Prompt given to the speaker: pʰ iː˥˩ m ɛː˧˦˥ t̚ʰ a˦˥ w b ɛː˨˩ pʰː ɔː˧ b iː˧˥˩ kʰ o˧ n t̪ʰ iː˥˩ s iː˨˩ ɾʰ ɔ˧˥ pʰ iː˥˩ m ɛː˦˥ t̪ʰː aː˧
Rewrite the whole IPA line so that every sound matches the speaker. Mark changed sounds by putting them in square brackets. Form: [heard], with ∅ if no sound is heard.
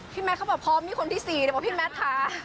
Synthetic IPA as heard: pʰ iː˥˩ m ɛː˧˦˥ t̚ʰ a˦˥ w b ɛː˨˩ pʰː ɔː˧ [m] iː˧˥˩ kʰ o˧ n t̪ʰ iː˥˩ s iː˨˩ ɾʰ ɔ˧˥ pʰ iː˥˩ m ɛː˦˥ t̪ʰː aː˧